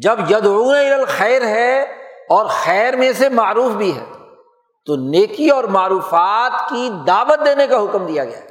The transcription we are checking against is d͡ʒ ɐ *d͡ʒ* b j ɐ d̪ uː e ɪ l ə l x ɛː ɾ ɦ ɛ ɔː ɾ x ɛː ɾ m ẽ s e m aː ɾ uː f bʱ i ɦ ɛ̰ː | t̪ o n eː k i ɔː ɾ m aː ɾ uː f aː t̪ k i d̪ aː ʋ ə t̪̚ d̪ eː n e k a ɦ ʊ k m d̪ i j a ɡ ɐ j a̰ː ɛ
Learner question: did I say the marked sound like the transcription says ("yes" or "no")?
no